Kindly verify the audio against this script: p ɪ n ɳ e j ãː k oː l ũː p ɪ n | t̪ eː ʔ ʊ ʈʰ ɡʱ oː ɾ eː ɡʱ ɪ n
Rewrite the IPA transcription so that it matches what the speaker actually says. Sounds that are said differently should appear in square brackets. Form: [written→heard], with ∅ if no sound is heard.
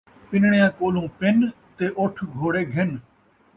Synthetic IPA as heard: p ɪ n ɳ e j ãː k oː l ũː p ɪ n | t̪ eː ʔ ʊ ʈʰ ɡʱ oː [ɾ→ɽ] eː ɡʱ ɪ n